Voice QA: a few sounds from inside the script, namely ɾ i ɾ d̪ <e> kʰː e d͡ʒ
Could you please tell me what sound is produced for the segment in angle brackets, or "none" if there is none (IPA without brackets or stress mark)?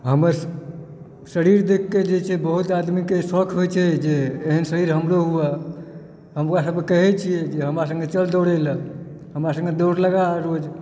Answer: e